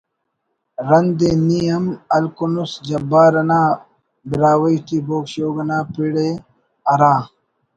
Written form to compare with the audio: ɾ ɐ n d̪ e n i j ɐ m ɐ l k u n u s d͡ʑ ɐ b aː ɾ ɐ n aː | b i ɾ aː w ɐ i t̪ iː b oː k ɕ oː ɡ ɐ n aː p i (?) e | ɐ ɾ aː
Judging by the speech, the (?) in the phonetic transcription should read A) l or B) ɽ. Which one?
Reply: B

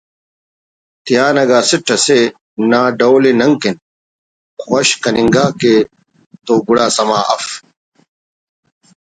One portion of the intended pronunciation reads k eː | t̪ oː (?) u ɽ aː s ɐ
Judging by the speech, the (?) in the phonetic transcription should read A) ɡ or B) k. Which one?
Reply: A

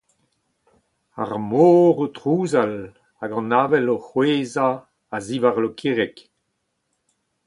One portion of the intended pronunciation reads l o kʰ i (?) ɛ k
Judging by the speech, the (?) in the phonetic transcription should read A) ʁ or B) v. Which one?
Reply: A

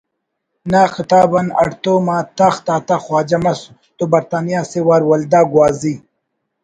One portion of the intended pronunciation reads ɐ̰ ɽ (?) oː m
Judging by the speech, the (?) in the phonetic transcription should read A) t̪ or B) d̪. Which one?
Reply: A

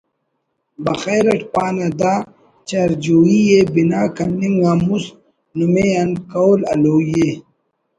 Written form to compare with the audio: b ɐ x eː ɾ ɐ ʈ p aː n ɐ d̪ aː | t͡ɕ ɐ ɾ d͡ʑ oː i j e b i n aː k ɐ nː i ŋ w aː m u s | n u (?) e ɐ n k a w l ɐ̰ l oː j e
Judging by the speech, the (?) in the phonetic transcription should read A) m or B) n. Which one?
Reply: A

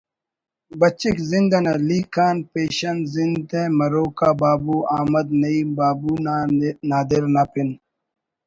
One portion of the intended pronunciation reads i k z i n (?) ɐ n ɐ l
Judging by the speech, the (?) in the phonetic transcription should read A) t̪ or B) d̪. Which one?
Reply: B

